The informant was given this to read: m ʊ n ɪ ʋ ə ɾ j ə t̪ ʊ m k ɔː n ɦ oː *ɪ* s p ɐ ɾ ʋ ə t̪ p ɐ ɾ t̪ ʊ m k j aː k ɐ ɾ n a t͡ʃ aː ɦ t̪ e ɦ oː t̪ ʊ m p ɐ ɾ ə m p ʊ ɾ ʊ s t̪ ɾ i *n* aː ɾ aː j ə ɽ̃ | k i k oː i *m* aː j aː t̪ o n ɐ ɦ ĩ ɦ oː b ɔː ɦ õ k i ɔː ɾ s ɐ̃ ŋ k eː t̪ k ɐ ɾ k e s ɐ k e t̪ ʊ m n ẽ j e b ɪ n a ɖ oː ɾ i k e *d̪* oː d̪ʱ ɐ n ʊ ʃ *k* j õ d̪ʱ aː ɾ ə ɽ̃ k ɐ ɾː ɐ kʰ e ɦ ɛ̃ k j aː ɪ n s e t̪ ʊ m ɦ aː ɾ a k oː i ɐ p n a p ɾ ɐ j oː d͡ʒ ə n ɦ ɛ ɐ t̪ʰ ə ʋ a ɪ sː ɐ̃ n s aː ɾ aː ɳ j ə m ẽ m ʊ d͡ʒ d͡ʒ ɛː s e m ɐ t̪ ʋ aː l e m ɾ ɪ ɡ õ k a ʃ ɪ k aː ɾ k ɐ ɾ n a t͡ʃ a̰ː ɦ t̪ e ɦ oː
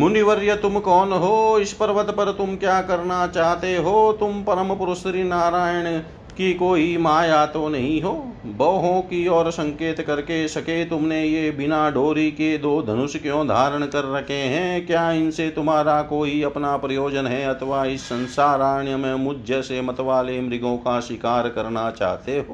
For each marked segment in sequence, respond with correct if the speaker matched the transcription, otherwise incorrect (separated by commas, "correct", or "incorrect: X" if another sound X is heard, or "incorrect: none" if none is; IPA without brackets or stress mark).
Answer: correct, correct, correct, correct, correct